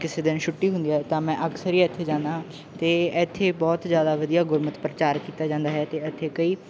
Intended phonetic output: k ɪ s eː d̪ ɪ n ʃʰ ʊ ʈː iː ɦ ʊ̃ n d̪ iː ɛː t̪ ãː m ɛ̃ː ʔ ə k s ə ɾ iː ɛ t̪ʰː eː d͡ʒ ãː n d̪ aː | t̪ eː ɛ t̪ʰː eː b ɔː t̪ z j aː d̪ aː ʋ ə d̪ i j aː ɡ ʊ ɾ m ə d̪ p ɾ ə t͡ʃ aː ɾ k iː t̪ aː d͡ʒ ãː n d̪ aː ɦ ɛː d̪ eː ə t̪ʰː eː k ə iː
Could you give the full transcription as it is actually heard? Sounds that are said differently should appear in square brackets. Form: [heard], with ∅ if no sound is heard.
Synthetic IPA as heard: k ɪ s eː d̪ ɪ n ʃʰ ʊ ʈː iː ɦ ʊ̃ n d̪ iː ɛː t̪ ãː m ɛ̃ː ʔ ə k s ə ɾ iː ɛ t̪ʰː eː d͡ʒ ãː n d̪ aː | t̪ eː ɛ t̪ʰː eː b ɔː t̪ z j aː d̪ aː ʋ ə d̪ i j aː ɡ ʊ ɾ m ə [t̪] p ɾ ə t͡ʃ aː ɾ k iː t̪ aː d͡ʒ ãː n d̪ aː ɦ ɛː [t̪] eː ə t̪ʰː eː k ə iː